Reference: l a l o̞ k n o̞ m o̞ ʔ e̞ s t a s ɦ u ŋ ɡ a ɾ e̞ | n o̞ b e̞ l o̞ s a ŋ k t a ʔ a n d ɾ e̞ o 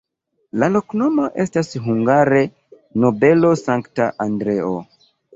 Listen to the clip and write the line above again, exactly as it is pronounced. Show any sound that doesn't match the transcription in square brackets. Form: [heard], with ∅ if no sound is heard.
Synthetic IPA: l a l o̞ k n o̞ m o̞ ʔ e̞ s t a s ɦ u ŋ ɡ a ɾ e̞ | n o̞ b e̞ l o̞ s a ŋ k t a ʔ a n d ɾ e̞ o

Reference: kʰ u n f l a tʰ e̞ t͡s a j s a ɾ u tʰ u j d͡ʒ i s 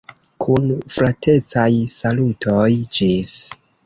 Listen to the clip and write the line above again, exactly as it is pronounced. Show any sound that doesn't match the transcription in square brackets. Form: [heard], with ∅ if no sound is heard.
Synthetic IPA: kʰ u n f [ɾ] a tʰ e̞ t͡s a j s a [l] u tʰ [o] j d͡ʒ i s

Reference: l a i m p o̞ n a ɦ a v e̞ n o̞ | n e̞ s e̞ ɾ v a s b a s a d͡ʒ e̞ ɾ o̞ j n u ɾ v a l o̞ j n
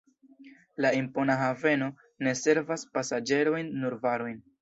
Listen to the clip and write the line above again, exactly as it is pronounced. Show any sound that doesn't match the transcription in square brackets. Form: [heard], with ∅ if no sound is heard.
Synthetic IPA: l a i m p o̞ n a ɦ a v e̞ n o̞ | n e̞ s e̞ ɾ v a s [p] a s a d͡ʒ e̞ ɾ o̞ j [nː] u ɾ v a [ɾ] o̞ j n

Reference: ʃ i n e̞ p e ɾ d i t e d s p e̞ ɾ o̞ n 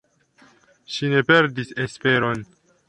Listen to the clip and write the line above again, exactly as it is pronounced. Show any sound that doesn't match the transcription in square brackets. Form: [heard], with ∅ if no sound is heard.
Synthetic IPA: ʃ i n e̞ p e ɾ d i [s] e [∅] s p e̞ ɾ o̞ n

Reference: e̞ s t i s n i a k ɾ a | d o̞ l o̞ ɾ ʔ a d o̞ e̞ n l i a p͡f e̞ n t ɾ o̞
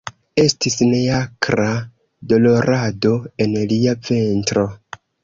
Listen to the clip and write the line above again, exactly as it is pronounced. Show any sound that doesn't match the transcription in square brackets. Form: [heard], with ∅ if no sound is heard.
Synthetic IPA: e̞ s t i s n [e] a k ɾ a | d o̞ l o̞ ɾ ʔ a d o̞ e̞ n l i a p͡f e̞ n t ɾ o̞

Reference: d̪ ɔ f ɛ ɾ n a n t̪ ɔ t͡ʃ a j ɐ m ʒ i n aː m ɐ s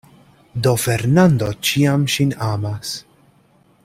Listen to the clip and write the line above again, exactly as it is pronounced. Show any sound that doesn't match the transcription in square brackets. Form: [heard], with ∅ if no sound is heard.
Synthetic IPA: d̪ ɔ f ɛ ɾ n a n [d̪] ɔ t͡ʃ [i] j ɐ m [ʃ] i n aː m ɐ s

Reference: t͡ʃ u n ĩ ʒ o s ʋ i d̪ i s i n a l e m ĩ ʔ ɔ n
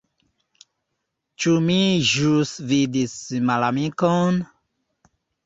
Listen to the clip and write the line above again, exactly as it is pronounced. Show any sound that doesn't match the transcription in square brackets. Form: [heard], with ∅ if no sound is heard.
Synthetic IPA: t͡ʃ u [m] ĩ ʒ [u] s [v] i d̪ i s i [m] a l [a] m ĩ [k] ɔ n

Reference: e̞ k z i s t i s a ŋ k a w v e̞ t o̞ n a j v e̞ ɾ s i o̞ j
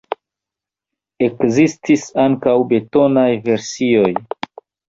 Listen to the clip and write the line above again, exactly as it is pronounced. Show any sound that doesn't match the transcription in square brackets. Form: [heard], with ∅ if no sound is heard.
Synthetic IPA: e̞ k z i s t i s a ŋ k a w [b] e̞ t o̞ n a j v e̞ ɾ s i o̞ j

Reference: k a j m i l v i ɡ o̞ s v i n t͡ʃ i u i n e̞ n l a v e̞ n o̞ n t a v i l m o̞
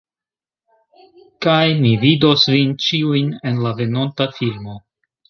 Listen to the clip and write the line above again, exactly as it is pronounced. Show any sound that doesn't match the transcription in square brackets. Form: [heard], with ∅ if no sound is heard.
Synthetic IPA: k a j m i [∅] v i [d] o̞ s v i n t͡ʃ i u [j] n e̞ n l a v e̞ n o̞ n t a [f] i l m o̞

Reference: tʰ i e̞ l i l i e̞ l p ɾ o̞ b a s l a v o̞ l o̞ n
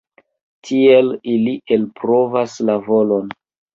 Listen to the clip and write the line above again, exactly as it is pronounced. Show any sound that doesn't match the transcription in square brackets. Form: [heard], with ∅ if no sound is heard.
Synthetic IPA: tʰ i e̞ l i l i e̞ l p ɾ o̞ [v] a s l a v o̞ l o̞ n

